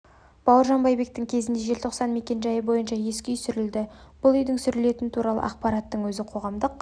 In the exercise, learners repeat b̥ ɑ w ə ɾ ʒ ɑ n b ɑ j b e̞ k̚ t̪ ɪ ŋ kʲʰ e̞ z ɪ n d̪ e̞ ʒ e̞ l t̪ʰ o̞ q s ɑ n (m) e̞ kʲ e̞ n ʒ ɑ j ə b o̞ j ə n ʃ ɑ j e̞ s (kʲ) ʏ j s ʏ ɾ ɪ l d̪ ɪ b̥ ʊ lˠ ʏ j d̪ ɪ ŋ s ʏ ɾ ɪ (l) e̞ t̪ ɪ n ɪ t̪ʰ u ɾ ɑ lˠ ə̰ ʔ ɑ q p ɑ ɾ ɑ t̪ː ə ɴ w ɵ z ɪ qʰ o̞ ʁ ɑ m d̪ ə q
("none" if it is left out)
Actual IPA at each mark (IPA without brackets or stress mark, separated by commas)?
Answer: m, kʲ, l